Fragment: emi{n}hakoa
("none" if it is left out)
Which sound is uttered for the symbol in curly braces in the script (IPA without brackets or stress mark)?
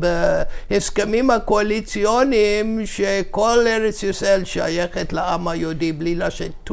m